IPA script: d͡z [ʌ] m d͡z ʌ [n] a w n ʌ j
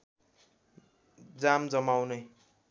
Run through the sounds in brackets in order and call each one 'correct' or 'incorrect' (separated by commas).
incorrect, incorrect